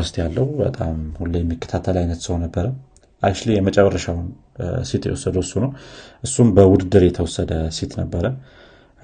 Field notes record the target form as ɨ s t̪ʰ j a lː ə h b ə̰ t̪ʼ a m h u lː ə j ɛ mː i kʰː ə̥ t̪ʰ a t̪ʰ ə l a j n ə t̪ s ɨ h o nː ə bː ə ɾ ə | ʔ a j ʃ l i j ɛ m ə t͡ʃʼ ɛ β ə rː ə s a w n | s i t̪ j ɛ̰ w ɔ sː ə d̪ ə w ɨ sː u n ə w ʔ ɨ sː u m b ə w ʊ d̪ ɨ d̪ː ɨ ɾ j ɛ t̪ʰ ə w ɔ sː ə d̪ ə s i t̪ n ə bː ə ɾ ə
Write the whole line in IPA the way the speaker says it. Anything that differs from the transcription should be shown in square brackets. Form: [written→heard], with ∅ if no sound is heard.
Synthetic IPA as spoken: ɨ s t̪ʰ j a lː ə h b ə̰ t̪ʼ a m h u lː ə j ɛ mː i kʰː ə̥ t̪ʰ a t̪ʰ ə l a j n ə t̪ s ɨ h o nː ə bː ə ɾ ə | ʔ a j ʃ l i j ɛ m ə t͡ʃʼ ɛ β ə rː ə [s→ʃ] a w n | s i t̪ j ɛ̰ w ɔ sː ə d̪ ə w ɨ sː u n ə w ʔ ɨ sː u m b ə w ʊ d̪ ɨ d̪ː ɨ ɾ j ɛ t̪ʰ ə w ɔ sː ə d̪ ə s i t̪ n ə bː ə ɾ ə